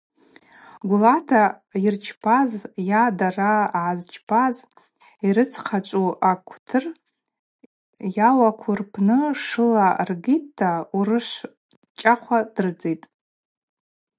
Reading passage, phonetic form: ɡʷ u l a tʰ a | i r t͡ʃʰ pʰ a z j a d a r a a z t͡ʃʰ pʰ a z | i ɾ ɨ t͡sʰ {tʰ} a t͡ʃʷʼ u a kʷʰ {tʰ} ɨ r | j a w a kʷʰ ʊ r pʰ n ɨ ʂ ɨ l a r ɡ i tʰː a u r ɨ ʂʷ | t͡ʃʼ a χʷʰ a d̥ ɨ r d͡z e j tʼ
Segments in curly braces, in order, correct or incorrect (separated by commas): incorrect, correct